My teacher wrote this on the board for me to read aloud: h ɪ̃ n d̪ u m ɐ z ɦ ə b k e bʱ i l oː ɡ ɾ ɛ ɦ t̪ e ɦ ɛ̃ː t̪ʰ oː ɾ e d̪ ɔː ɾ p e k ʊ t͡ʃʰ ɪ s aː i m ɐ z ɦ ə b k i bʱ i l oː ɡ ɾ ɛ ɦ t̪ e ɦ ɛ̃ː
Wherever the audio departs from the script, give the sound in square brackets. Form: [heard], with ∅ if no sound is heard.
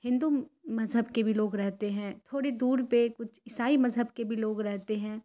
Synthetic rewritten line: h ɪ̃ n d̪ u m ɐ z ɦ ə b k e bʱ i l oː ɡ ɾ ɛ ɦ t̪ e ɦ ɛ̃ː t̪ʰ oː [ɽ] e d̪ [uː] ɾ p e k ʊ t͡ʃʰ ɪ s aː i m ɐ z ɦ ə b k [e] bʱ i l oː ɡ ɾ ɛ ɦ t̪ e ɦ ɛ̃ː